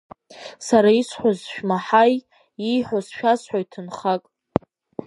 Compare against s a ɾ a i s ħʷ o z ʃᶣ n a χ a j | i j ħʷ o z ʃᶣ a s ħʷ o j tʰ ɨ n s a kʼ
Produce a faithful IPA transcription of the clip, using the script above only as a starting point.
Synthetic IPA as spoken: s a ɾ a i s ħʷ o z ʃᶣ m a ħ a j | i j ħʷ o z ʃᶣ a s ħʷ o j tʰ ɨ n χ a kʼ